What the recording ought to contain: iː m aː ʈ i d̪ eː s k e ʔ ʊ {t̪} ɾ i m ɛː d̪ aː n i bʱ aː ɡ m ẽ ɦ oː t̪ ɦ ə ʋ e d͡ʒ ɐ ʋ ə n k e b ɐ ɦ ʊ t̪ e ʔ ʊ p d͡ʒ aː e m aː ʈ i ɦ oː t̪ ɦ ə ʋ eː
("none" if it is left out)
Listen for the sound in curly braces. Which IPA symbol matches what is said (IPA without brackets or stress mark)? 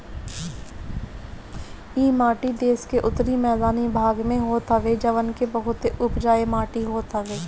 t̪